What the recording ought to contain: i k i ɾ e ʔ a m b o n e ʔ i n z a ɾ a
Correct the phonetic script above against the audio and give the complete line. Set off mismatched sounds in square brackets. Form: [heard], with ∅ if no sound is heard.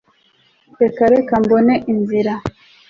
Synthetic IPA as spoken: [e] k [a] ɾ e [k] a m b o n e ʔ i n z [i] ɾ a

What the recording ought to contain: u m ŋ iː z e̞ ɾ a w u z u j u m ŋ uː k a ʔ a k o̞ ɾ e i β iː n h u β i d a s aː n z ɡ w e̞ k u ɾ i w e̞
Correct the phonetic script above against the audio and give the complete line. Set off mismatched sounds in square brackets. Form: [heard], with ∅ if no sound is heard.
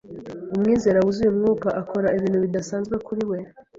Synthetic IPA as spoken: u m ŋ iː z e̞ ɾ a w u z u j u m ŋ uː k a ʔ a k o̞ ɾ [a] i β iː n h u β i d a s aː n z ɡ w e̞ k u ɾ i w e̞

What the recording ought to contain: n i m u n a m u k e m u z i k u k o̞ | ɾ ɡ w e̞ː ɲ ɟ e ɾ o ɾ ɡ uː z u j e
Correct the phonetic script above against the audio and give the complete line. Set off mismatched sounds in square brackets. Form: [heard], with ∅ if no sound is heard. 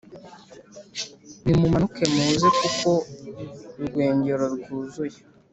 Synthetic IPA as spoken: n i m u [m] a [n] u k e m u z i k u k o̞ | ɾ ɡ w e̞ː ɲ ɟ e ɾ o ɾ ɡ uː z u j e

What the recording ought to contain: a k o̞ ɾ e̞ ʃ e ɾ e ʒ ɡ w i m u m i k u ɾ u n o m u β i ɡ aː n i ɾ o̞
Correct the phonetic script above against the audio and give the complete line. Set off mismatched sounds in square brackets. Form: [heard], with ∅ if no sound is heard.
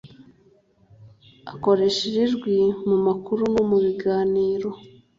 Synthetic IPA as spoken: a k o̞ ɾ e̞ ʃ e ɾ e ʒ ɡ w i m u m [a] k u ɾ u n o m u β i ɡ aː n [iː] ɾ o̞

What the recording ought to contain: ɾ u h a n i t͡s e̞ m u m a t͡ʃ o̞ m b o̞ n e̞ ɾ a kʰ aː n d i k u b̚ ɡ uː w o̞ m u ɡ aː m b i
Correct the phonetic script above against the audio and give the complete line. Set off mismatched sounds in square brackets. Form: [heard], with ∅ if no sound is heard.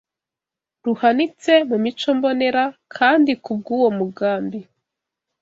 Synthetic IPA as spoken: ɾ u h a n i t͡s e̞ m u m [i] t͡ʃ o̞ m b o̞ n e̞ ɾ a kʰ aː n d i k u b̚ ɡ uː w o̞ m u ɡ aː m b i

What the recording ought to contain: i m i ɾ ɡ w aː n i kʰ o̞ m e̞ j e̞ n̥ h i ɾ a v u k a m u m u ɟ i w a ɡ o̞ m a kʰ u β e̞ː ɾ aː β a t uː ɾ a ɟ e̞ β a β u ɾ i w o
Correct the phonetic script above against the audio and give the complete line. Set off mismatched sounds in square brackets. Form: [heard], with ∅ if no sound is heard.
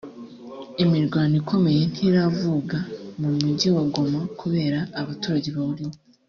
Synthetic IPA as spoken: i m i ɾ ɡ w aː n i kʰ o̞ m e̞ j e̞ n̥ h i ɾ a v u [ɡ] a m u m u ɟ i w a ɡ o̞ m a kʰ u β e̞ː ɾ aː β a t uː ɾ a ɟ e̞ β a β u ɾ i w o

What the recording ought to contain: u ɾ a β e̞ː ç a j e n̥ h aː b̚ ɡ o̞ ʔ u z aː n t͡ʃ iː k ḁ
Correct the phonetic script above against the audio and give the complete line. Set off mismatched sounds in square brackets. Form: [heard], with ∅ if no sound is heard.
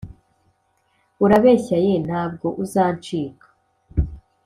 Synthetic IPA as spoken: u ɾ a β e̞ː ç a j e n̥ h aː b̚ ɡ o̞ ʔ u z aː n t͡ʃ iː k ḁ

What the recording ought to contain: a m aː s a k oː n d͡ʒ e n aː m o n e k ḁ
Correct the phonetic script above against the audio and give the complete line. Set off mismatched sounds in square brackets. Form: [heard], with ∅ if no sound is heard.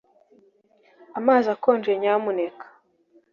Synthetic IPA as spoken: a m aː [z] a k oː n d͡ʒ e [ɲ] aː m [u] n e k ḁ

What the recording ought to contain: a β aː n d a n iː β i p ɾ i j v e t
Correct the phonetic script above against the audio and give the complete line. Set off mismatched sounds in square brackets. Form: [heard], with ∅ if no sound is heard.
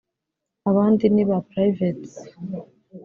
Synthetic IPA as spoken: a β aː n d [i] n [i] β [a] p ɾ [a] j v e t

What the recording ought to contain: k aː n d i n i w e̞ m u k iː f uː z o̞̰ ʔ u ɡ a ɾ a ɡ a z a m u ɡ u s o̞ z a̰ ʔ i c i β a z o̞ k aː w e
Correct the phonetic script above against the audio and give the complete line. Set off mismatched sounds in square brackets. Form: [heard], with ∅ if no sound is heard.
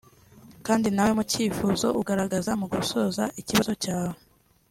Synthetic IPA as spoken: k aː n d i n [a] w e̞ m u [c] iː f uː z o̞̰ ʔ u ɡ a ɾ a ɡ a z a m u ɡ u s o̞ z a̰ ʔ i c i β a z o̞ [c] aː w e

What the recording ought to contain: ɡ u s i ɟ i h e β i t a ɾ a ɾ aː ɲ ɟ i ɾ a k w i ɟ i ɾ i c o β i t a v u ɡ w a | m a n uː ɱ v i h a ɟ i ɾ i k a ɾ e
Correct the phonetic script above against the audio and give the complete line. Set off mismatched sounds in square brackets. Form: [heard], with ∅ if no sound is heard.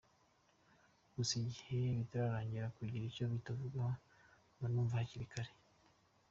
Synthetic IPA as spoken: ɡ u s i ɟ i h e β i t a ɾ a ɾ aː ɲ ɟ i ɾ a k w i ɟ i ɾ i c o β i t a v u ɡ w a | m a n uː ɱ v [a] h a [c] i ɾ i k a ɾ e

